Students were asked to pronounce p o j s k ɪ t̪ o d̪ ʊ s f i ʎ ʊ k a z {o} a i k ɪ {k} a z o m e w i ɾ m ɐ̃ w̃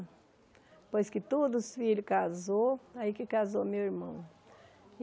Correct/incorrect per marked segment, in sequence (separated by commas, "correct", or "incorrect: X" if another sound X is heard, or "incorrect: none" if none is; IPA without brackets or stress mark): correct, correct